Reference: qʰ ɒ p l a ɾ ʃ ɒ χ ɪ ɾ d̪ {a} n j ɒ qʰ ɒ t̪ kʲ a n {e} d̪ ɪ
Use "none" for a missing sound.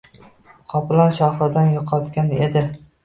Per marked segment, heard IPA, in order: a, e

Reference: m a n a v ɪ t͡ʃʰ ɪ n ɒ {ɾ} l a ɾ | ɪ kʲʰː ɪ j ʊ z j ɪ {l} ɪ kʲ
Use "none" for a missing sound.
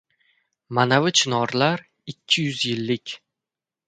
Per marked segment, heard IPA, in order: ɾ, lː

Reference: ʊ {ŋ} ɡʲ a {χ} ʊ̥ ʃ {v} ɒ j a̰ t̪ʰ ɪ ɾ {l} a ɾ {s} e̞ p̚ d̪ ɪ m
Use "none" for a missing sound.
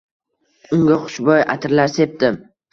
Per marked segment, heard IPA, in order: ŋ, χ, b, l, s

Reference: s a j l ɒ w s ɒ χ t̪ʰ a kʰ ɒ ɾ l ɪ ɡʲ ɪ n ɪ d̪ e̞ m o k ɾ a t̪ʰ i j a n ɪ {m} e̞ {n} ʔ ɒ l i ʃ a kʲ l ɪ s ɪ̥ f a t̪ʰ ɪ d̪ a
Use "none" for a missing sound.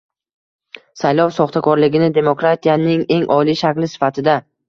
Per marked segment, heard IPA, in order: ŋ, ŋ

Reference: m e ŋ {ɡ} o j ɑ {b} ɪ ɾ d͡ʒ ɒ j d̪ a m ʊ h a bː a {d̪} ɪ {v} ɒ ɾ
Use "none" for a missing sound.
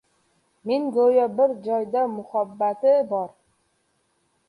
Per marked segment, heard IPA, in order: ɡ, b, t̪, b

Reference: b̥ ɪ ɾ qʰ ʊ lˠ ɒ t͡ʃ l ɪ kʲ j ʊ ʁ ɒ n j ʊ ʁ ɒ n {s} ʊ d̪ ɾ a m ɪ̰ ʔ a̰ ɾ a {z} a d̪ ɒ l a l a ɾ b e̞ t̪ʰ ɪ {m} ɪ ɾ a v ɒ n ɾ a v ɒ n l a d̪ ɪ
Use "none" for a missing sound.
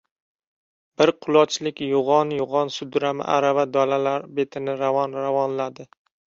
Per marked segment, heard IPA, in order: s, v, n

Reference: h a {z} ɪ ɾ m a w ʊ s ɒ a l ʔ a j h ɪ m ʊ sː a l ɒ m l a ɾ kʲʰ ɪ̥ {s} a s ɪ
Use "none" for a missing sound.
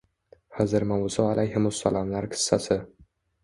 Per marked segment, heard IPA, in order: z, sː

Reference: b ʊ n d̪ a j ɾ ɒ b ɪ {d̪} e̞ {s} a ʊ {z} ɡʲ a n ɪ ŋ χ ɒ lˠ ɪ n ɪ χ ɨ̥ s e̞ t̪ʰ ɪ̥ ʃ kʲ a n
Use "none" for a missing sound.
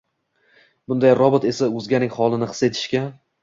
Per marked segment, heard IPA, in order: t̪, s, z

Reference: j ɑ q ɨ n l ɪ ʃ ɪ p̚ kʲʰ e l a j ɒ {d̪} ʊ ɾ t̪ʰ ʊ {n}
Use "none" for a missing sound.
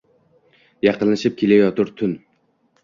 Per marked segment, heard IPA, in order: t̪, n

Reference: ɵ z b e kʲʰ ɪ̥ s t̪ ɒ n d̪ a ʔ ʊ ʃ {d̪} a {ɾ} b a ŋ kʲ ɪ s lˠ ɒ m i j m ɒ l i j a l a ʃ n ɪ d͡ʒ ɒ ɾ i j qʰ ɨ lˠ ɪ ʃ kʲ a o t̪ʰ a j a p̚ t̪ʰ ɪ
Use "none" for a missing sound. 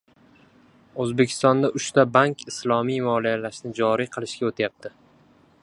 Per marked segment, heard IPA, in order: t̪, none

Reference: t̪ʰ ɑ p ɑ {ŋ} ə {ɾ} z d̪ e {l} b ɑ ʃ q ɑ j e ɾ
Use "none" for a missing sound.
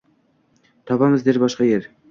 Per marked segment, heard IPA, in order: m, none, ɾ

